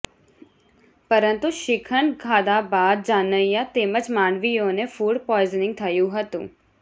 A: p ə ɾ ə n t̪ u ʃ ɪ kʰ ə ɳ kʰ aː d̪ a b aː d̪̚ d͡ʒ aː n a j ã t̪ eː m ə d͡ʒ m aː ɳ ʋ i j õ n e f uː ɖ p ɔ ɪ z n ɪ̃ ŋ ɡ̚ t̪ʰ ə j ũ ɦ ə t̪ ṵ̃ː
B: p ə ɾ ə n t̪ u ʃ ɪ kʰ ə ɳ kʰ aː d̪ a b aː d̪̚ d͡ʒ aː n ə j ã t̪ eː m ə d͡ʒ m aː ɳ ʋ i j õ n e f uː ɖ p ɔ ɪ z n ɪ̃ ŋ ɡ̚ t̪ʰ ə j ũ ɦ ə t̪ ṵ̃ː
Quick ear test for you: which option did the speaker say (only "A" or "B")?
B